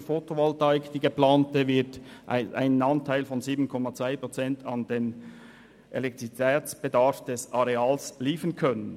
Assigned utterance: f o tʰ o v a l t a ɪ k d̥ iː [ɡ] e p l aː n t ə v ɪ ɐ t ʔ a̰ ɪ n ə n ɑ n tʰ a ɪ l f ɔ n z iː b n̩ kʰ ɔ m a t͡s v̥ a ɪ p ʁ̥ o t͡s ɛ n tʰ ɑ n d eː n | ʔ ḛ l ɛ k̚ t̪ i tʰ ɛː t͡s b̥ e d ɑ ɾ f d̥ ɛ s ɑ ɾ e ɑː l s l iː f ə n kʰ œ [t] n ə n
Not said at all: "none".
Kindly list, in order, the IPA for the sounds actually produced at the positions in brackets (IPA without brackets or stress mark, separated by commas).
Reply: ɡ, none